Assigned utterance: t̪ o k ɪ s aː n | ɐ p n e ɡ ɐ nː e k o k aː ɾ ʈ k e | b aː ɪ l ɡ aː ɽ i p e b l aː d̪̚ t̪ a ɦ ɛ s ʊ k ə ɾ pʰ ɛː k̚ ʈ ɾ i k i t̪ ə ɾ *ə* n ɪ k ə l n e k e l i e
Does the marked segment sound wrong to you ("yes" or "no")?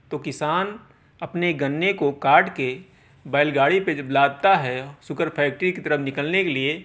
no